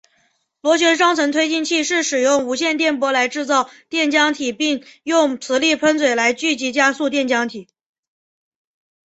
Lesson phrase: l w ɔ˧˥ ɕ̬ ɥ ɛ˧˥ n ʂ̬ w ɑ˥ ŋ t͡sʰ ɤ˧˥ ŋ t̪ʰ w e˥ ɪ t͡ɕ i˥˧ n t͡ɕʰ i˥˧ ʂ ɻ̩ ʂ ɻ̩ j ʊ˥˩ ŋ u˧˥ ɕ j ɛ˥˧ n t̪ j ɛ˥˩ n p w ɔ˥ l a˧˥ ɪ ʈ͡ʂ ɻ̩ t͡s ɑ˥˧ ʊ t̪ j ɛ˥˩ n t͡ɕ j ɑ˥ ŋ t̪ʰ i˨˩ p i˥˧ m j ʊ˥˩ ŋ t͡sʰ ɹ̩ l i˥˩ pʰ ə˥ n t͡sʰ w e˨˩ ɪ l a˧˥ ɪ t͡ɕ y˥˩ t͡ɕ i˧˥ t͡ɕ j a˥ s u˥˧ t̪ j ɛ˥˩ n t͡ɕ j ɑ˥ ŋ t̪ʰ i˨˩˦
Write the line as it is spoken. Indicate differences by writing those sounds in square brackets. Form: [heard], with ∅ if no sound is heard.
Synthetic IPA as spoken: l w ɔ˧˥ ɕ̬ ɥ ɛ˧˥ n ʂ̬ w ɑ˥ ŋ t͡sʰ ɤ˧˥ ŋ t̪ʰ w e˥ ɪ t͡ɕ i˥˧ n t͡ɕʰ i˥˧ ʂ ɻ̩ ʂ ɻ̩ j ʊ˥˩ ŋ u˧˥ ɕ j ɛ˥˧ n t̪ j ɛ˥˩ n p w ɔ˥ l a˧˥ ɪ ʈ͡ʂ ɻ̩ t͡s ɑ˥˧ ʊ t̪ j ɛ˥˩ n t͡ɕ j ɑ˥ ŋ t̪ʰ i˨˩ p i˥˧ [ŋ] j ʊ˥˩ ŋ t͡sʰ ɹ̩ l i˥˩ pʰ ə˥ n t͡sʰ w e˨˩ ɪ l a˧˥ ɪ t͡ɕ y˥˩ t͡ɕ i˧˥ t͡ɕ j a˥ s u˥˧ t̪ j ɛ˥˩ n t͡ɕ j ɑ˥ ŋ t̪ʰ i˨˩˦